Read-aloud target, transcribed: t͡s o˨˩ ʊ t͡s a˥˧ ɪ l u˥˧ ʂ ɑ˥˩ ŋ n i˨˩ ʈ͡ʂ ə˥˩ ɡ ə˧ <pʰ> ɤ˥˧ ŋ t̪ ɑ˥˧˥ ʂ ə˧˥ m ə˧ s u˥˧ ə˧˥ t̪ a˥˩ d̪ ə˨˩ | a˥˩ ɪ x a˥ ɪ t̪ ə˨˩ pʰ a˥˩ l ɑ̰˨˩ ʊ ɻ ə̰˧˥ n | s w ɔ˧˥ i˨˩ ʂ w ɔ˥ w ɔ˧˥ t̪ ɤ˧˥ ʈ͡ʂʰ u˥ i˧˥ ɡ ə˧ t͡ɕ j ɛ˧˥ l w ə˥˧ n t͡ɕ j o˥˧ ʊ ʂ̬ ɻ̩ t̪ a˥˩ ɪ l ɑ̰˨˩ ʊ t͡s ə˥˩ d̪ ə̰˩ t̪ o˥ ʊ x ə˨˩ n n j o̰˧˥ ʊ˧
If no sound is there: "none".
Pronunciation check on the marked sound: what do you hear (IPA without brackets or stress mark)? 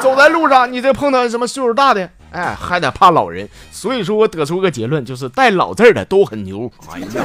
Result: pʰ